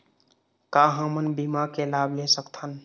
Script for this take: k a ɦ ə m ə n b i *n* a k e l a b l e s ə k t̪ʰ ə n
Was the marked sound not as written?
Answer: yes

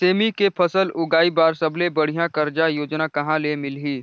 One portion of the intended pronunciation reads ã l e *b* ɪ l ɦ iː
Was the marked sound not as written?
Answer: yes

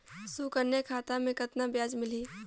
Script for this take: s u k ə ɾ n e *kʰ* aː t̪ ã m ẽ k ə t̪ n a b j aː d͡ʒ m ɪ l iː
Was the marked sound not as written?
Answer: no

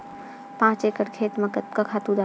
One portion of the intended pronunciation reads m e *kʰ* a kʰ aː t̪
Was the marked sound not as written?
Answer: yes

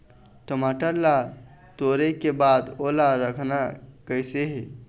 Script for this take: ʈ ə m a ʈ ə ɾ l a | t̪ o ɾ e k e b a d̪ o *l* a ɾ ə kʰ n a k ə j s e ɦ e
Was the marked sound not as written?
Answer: no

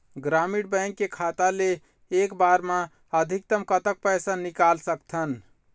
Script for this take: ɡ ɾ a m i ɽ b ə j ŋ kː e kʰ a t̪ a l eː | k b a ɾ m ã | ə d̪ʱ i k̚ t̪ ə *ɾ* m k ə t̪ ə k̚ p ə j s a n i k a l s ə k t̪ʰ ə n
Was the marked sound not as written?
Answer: yes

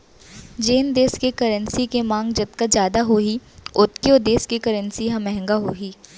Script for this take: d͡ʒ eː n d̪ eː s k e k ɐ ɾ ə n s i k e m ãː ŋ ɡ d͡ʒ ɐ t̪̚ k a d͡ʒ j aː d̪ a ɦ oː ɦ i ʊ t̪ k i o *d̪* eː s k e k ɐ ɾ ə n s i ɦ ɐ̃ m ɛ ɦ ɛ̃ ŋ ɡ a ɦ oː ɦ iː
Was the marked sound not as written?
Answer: no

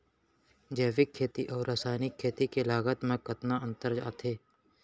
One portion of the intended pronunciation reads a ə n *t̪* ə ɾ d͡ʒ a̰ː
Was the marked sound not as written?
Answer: no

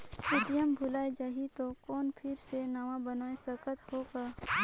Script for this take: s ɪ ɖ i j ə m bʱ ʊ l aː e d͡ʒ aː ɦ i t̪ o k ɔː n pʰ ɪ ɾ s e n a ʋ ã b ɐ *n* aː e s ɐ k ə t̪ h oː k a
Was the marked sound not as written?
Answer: no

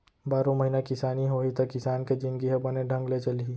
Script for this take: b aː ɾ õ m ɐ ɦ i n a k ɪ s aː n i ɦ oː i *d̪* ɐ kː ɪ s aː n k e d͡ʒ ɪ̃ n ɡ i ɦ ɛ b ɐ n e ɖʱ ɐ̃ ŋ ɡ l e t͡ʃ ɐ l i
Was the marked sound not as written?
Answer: yes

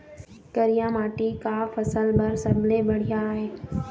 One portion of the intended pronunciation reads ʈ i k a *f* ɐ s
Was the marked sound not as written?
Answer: no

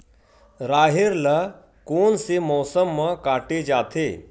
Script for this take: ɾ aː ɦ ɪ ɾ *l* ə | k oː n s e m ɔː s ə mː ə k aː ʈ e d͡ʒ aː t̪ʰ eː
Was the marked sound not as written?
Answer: no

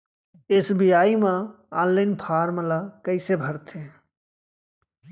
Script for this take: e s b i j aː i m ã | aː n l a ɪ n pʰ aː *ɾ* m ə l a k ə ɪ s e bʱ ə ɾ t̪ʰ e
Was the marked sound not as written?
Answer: no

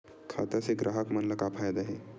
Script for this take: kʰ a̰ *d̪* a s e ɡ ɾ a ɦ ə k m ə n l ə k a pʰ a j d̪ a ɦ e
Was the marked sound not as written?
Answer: yes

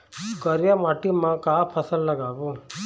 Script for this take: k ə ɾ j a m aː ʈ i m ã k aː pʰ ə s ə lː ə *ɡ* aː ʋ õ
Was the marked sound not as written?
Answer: no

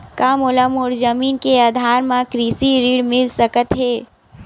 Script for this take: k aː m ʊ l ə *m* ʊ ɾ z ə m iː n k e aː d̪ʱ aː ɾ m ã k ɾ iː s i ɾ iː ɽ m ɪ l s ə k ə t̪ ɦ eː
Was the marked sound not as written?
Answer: no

